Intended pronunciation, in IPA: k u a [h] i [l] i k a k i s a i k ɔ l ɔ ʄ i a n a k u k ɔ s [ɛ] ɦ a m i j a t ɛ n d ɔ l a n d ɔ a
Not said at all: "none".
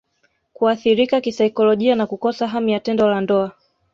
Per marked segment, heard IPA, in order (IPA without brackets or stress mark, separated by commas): θ, ɾ, a